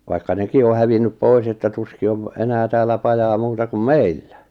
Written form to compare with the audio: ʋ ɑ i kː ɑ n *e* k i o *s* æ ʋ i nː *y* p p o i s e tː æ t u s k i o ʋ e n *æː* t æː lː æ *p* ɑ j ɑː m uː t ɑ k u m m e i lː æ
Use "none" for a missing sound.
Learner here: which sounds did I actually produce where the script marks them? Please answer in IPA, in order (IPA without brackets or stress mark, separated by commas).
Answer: e, h, y, æː, p